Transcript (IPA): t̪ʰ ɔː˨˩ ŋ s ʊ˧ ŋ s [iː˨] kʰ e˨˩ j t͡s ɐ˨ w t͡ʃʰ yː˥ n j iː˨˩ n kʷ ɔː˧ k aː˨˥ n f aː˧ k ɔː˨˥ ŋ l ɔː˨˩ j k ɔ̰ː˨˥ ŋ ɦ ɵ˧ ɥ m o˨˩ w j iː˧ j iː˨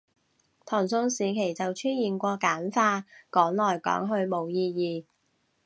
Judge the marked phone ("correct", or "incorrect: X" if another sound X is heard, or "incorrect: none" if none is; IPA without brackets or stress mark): correct